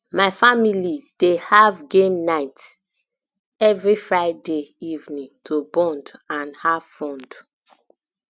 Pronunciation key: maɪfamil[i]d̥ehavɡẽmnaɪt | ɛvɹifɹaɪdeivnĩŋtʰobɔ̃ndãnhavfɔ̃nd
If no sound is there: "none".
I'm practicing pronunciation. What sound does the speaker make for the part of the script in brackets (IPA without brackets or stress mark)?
i